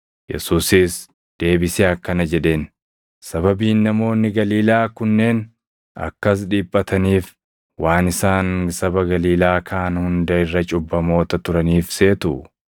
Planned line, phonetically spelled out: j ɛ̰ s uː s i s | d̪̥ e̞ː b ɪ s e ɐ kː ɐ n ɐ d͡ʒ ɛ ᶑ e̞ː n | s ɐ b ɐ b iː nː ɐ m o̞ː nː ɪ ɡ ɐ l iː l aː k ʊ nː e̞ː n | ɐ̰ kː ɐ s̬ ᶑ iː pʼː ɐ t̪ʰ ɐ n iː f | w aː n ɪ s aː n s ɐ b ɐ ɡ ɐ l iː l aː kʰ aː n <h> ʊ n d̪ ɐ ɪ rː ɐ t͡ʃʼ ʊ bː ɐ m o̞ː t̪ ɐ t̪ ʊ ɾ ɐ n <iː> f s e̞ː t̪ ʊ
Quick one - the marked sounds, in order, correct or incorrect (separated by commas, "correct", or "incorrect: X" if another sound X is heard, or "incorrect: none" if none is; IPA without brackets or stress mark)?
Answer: correct, correct